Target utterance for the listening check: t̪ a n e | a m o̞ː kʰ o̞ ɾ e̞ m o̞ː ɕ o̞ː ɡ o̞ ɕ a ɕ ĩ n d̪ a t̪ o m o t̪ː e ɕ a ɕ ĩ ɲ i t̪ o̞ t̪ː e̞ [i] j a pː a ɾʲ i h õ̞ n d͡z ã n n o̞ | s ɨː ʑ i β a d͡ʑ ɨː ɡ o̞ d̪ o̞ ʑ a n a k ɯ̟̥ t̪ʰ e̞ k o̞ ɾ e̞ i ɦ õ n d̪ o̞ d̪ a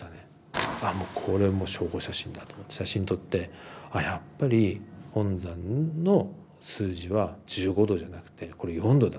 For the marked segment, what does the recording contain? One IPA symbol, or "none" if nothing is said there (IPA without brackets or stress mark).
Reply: a